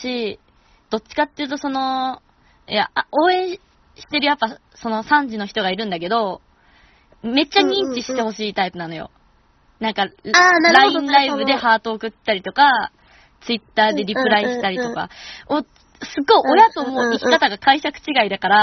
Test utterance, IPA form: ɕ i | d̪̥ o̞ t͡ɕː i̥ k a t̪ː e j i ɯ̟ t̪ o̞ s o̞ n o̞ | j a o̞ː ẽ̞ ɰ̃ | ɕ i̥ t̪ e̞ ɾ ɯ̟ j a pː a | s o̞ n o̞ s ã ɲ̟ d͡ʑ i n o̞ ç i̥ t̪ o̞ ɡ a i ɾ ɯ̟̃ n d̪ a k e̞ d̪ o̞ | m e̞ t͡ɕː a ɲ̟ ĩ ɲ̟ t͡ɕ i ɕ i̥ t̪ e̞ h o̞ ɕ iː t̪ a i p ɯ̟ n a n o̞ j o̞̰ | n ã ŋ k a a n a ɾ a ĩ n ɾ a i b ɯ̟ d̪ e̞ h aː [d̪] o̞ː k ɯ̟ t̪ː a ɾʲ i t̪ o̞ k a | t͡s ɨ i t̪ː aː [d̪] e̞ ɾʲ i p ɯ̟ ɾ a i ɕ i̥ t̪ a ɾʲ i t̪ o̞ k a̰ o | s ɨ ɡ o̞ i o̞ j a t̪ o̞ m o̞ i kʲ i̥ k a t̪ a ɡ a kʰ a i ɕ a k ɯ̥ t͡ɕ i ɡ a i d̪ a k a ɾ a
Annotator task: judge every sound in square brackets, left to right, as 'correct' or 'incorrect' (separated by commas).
incorrect, correct